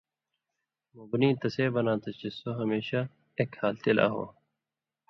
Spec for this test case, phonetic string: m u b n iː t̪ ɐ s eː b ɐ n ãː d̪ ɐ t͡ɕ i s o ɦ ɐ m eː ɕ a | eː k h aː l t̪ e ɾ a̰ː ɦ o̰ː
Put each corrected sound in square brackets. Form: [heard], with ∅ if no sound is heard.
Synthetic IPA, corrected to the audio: m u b n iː t̪ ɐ s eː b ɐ n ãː [t̪] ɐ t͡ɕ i s o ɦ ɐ m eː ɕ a | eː k h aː l t̪ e [l] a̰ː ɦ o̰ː